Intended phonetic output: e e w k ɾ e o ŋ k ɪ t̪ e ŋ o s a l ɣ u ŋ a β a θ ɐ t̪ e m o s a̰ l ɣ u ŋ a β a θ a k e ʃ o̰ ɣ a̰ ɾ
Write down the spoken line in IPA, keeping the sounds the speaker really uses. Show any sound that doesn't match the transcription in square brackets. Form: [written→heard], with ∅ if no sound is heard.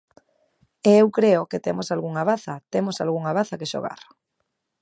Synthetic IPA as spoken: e e w k ɾ e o [ŋ→∅] k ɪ t̪ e [ŋ→m] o s a l ɣ u ŋ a β a θ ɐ t̪ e m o s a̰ l ɣ u ŋ a β a θ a k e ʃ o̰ ɣ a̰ ɾ